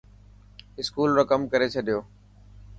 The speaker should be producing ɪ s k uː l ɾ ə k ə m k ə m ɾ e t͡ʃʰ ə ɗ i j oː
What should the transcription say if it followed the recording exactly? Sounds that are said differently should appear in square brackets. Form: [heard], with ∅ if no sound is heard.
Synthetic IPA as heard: ɪ s k uː l ɾ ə k ə m k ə [∅] ɾ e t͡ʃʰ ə ɗ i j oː